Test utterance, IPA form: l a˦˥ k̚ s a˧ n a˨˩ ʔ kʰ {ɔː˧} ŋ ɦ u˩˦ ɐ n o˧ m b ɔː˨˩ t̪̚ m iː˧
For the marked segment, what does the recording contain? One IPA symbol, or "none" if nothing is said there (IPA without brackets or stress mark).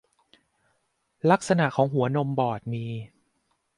ɔː˩˦